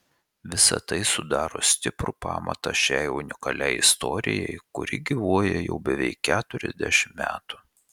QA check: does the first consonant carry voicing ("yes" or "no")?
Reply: yes